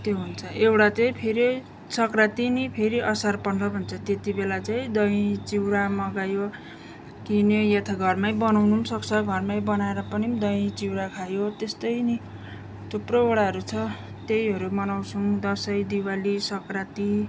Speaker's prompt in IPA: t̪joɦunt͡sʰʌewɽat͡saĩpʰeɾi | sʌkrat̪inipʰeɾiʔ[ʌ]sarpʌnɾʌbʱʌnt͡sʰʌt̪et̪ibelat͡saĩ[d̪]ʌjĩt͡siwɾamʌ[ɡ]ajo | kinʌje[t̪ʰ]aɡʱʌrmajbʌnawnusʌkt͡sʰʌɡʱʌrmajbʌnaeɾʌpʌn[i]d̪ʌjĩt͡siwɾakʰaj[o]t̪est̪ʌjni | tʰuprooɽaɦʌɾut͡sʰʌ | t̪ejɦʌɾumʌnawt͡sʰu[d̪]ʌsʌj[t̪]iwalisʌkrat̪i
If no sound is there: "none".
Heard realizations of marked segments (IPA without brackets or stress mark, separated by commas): ʌ, d̪, ɡ, t̪ʰ, i, o, d̪, d̪